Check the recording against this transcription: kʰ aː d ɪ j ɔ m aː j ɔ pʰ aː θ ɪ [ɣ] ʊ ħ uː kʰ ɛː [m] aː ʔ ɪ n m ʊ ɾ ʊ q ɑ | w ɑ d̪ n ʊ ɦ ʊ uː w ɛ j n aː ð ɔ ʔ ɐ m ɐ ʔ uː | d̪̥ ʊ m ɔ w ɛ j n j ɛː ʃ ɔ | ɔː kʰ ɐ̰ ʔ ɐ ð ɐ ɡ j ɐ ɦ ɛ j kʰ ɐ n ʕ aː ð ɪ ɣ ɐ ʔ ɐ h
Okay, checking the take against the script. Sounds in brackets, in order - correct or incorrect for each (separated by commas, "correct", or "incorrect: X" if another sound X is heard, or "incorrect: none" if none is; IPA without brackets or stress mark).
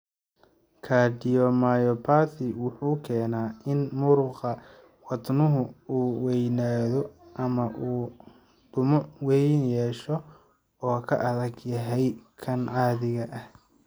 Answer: incorrect: w, incorrect: n